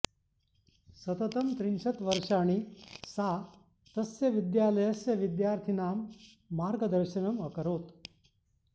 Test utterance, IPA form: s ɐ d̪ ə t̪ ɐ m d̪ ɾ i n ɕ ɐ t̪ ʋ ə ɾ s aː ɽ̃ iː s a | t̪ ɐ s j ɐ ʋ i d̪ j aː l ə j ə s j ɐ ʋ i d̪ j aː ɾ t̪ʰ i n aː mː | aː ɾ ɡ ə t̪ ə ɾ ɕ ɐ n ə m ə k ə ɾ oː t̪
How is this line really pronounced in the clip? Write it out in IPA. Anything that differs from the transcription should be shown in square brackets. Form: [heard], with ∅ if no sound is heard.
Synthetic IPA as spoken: s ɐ [t̪] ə t̪ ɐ m [t̪] ɾ i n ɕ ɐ t̪ ʋ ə ɾ [ʂ] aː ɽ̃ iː s a | t̪ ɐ s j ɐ ʋ i d̪ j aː l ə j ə s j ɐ ʋ i d̪ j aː ɾ t̪ʰ i n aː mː | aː ɾ ɡ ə [d̪] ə ɾ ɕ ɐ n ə m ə k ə ɾ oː t̪